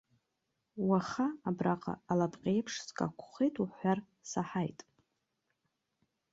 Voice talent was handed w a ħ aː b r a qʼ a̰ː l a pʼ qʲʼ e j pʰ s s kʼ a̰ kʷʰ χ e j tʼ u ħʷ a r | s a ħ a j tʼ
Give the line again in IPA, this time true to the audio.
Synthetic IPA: w a χ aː b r a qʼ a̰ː l a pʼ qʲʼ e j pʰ ʂ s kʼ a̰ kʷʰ χ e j tʼ u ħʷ a r | s a ħ a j tʼ

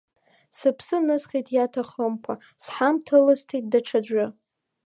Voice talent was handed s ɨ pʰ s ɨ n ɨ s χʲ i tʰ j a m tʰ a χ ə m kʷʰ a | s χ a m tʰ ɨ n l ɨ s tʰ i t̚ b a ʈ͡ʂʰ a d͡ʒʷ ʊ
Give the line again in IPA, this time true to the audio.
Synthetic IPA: s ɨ pʰ s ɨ n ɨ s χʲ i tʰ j a tʰ a χ ə m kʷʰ a | s ħ a m tʰ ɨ l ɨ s tʰ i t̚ d a ʈ͡ʂʰ a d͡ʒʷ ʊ

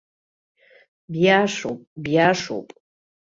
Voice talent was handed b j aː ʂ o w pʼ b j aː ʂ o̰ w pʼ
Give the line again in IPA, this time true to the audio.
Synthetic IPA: b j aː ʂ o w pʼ b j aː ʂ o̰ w pʼ

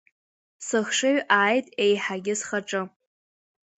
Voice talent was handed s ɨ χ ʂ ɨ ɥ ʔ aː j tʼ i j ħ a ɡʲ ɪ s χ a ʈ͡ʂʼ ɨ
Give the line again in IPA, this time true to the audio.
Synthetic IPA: s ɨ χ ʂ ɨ ɥ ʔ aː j tʼ e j ħ a ɡʲ ɪ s χ a ʈ͡ʂʼ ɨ

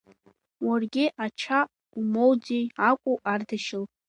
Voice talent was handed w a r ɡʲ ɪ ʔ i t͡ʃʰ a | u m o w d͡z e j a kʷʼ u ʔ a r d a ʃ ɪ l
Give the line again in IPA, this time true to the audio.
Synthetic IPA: w a r ɡʲ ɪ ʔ a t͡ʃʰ a | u m o w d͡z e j a kʷʼ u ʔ a r d a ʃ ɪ l

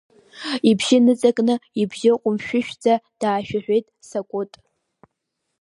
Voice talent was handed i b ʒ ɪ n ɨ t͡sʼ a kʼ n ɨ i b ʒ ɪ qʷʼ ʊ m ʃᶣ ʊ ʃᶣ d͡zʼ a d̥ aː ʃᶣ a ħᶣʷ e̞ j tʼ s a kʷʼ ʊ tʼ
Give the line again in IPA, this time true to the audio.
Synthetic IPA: i b ʒ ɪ n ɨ t͡sʼ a kʼ n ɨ i b ʒ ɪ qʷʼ ʊ m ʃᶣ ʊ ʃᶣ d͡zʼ a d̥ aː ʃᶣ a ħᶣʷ e̞ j tʼ s a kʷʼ ʊ tʼ

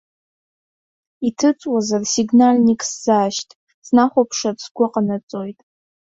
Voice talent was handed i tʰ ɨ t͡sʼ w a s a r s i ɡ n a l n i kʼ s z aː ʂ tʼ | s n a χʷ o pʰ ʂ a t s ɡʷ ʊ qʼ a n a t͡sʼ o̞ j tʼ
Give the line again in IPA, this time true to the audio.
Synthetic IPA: i tʰ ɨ t͡sʼ w a z a r s i ɡ n a l n i kʼ s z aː ʃ tʼ | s n a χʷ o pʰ ʂ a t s ɡʷ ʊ qʼ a n a t͡sʼ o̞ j tʼ

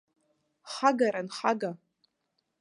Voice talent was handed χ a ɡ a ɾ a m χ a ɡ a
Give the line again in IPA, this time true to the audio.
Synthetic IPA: χ a ɡ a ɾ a n χ a ɡ a

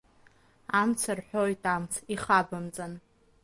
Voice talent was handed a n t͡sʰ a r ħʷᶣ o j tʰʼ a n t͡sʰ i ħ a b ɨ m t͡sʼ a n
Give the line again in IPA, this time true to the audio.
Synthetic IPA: a m t͡sʰ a r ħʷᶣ o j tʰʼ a m t͡sʰ i χ a b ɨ m t͡sʼ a n

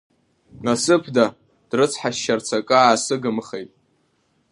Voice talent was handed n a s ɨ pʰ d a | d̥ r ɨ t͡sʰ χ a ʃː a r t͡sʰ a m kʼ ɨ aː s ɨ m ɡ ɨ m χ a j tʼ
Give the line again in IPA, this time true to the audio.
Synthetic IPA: n a s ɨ pʰ d a | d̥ r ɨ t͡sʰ ħ a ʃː a r t͡sʰ a kʼ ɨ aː s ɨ ɡ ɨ m χ e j tʼ

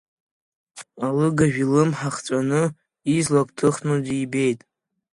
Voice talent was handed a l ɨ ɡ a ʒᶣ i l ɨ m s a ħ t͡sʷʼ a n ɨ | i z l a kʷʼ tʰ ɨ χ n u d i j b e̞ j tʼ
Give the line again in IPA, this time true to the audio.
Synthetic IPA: a l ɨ ɡ a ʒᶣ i l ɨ m ħ a χ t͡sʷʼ a n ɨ | i z l a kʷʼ tʰ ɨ χ n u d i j b e̞ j tʼ

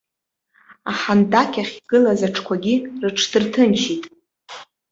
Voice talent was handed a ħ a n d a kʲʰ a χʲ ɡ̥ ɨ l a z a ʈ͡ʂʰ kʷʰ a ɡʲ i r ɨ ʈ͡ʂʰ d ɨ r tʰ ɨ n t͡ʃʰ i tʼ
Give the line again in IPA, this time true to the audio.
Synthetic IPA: a ħ a n d a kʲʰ a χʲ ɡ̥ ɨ l a z a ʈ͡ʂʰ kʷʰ a ɡʲ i r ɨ ʈ͡ʂʰ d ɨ r tʰ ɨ n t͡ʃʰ i tʼ

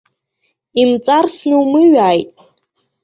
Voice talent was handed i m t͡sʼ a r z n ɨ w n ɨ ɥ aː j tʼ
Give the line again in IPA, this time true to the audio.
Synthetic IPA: i m t͡sʼ a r s n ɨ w m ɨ ɥ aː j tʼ

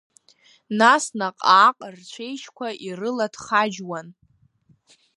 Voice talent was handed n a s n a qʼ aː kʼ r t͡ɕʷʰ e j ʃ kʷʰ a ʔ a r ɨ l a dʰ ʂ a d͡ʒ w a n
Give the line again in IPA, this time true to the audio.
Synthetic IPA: n a s n a qʼ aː qʼ r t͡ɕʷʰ e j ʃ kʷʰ a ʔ i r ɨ l a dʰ χ a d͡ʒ w a n

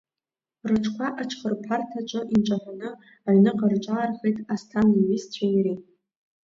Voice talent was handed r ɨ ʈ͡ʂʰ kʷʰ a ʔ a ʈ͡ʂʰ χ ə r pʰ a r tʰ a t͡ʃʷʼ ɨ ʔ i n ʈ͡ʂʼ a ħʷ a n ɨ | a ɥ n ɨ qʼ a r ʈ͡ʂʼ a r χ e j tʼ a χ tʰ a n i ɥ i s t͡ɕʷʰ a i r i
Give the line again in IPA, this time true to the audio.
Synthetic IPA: r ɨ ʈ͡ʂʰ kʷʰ a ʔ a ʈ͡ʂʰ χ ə r pʰ a r tʰ a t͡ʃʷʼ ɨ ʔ i n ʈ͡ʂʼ a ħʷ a n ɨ | a ɥ n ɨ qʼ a r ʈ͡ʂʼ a r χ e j tʼ a s tʰ a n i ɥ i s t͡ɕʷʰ a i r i

